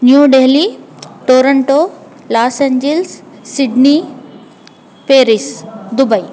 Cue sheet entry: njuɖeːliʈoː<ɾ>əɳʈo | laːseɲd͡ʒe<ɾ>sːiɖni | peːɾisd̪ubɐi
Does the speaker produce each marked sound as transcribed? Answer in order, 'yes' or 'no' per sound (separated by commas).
yes, no